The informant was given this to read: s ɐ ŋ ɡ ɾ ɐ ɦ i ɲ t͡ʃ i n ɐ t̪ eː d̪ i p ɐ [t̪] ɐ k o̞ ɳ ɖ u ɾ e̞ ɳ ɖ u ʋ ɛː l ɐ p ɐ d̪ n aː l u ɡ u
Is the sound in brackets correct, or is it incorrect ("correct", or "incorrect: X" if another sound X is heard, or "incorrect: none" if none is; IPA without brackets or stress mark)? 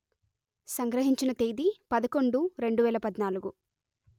incorrect: d̪